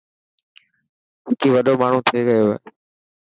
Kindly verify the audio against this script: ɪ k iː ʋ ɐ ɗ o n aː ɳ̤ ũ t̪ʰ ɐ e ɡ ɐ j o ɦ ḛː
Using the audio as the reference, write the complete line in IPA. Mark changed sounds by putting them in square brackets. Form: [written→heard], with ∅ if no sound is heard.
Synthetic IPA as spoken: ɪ k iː ʋ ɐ ɗ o [n→m] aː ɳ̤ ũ t̪ʰ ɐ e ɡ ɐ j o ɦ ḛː